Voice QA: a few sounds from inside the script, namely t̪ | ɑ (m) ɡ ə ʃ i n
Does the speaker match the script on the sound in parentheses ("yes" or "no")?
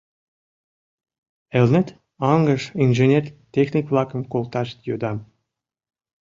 no